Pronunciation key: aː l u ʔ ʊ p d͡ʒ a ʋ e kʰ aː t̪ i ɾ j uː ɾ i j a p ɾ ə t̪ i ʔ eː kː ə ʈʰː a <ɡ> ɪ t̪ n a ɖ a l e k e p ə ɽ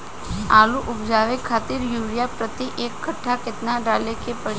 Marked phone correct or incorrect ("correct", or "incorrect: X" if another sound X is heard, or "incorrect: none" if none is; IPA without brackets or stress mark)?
incorrect: k